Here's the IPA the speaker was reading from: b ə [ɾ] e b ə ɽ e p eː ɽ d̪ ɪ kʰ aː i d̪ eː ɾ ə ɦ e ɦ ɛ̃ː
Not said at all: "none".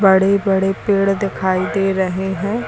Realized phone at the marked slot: ɽ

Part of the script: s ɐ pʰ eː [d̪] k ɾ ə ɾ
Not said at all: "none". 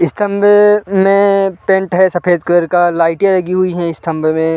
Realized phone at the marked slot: d̪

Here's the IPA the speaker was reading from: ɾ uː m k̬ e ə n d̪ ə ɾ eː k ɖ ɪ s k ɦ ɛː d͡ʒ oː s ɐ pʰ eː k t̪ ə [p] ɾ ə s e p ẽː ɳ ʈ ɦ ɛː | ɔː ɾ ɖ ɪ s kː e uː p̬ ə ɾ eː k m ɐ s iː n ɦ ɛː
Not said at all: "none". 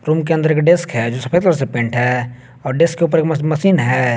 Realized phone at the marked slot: none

